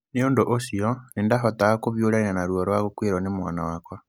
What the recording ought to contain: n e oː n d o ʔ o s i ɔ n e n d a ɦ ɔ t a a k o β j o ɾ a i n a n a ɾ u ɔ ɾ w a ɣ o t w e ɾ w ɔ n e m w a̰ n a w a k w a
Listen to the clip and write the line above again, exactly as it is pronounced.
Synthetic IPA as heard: n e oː n d o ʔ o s i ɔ n e n d a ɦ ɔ t a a k o β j o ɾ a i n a n a ɾ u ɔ ɾ w a ɣ o k w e ɾ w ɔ n e m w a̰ n a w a k w a